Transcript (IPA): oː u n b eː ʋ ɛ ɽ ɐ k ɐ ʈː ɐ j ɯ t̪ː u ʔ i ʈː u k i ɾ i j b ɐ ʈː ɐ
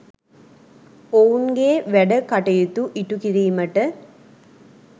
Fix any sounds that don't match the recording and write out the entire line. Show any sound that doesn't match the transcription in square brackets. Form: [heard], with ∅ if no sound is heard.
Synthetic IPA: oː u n [ɡ] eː ʋ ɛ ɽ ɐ k ɐ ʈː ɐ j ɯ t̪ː u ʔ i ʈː u k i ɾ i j [m] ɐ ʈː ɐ